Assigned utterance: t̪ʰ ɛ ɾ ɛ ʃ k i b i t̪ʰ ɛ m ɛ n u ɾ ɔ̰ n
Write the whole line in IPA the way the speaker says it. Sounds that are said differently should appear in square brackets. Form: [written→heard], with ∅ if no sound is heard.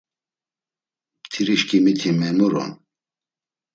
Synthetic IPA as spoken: t̪ʰ [ɛ→i] ɾ [ɛ→i] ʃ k i [b→m] i t̪ʰ [ɛ→i] m ɛ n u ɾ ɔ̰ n